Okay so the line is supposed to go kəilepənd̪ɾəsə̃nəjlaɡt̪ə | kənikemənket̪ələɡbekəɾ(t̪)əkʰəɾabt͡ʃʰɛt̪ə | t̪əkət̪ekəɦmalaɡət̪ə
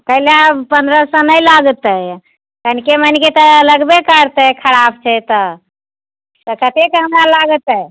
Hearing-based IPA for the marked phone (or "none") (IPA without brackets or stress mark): t̪